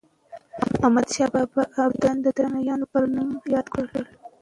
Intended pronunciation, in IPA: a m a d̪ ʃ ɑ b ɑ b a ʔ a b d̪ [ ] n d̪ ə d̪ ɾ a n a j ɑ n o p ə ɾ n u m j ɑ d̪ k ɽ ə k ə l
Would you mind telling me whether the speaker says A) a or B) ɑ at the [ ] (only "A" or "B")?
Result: A